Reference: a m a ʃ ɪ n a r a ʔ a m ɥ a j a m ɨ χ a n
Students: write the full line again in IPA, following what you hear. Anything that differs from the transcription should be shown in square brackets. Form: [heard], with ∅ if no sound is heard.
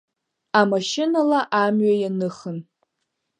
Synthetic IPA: a m a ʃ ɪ n a [l] a ʔ a m ɥ a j a [n] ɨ χ [ə] n